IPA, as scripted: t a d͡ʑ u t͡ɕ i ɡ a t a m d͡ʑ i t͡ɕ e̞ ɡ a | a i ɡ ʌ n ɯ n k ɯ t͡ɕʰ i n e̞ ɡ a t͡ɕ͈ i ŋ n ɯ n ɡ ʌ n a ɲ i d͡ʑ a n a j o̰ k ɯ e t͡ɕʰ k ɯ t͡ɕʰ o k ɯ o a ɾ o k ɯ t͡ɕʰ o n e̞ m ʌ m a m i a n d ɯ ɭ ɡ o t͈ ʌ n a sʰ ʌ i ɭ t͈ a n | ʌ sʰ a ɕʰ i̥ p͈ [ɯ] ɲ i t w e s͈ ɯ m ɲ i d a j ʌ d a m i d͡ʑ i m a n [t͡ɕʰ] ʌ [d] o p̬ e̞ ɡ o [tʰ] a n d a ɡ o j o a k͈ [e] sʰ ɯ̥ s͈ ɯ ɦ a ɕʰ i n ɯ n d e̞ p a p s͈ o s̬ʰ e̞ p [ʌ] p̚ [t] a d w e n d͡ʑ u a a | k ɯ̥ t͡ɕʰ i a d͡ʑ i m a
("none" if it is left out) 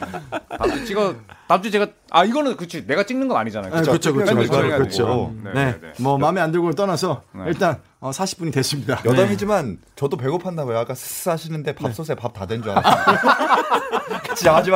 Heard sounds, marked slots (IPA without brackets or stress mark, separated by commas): u, t͡ɕ, d, pʰ, a, a, t